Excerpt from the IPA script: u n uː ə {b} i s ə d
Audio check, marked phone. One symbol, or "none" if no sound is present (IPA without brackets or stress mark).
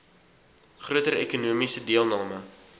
m